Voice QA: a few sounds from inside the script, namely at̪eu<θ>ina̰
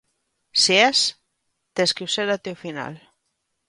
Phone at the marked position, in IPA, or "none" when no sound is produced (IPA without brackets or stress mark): f